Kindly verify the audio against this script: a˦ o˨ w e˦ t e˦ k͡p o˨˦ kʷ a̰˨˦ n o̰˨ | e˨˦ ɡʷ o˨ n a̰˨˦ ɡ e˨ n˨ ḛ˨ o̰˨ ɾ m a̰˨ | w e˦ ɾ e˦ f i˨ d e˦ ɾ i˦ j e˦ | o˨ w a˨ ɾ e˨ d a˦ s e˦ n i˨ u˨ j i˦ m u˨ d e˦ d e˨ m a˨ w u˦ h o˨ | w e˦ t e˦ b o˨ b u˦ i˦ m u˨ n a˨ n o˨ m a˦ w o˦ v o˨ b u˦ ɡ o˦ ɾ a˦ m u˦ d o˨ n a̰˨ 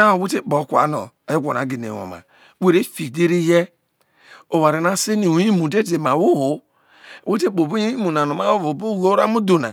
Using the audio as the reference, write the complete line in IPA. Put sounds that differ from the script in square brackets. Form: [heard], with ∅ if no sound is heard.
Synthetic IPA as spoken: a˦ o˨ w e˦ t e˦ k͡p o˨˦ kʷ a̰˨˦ n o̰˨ | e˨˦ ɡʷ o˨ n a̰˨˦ ɡ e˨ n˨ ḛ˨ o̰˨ [∅] m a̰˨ | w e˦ ɾ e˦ f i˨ d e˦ ɾ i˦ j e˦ | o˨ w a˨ ɾ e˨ [n] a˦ s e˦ n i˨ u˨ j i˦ m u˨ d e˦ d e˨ m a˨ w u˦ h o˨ | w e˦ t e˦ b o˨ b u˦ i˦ m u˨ n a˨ n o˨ m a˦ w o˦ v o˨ b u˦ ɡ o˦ ɾ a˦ m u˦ d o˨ n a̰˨